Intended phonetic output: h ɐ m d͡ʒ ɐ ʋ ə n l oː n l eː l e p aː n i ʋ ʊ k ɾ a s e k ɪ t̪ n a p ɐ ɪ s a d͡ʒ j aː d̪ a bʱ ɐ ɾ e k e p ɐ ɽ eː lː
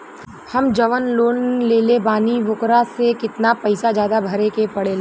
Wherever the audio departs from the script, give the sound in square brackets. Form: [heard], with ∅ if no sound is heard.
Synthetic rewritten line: h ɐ m d͡ʒ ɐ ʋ ə n l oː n l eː l e [b] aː n i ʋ ʊ k ɾ a s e k ɪ t̪ n a p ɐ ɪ s a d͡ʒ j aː d̪ a bʱ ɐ ɾ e k e p ɐ ɽ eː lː